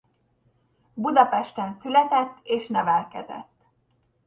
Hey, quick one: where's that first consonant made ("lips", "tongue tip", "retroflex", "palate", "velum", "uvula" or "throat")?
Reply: lips